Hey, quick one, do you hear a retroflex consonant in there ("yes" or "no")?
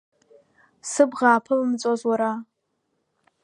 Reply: no